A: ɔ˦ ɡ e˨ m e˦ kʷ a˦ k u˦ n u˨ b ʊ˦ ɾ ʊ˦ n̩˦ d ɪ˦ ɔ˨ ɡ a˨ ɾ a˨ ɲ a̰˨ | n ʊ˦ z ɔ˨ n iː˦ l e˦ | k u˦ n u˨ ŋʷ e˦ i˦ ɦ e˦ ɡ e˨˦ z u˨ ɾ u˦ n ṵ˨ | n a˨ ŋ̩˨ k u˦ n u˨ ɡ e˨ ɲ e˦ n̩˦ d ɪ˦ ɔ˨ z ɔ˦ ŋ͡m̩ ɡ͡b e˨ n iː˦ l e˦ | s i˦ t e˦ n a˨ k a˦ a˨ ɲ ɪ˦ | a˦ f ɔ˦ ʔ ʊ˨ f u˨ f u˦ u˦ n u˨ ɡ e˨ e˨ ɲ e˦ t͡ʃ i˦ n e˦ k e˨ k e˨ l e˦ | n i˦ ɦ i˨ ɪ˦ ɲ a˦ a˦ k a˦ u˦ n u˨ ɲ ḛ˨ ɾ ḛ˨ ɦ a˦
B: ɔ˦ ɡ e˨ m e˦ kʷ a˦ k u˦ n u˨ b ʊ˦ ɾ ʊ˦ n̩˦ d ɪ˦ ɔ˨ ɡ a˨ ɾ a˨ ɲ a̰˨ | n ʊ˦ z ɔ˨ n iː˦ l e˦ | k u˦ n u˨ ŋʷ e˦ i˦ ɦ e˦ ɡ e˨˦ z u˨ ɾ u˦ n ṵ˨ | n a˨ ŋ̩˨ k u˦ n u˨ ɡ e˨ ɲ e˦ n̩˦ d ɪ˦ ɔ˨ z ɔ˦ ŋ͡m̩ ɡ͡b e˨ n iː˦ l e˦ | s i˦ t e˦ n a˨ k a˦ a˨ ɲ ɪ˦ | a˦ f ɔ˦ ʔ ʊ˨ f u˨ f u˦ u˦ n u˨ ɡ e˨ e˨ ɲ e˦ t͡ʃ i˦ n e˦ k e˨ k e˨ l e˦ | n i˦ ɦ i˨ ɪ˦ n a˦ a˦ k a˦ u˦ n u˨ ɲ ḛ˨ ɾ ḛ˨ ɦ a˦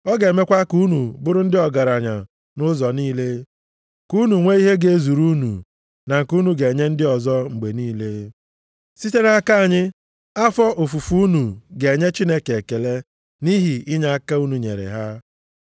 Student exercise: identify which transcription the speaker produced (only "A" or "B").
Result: A